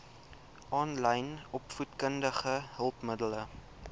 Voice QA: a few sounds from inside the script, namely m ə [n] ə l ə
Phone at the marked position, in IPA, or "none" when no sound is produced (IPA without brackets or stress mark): d